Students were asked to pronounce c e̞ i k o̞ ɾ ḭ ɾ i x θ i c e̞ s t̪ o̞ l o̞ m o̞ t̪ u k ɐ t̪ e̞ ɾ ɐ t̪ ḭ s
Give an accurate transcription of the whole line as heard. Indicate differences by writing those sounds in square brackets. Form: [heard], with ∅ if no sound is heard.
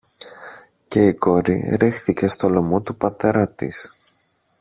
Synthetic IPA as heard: c e̞ i k o̞ ɾ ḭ ɾ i x θ i c e̞ s t̪ o̞ l o̞ m o̞ t̪ u [p] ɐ t̪ e̞ ɾ ɐ t̪ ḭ s